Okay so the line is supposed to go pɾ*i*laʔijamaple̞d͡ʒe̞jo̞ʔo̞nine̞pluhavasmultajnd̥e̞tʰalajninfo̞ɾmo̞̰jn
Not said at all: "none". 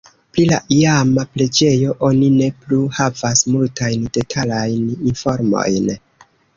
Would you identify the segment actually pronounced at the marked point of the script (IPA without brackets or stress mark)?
i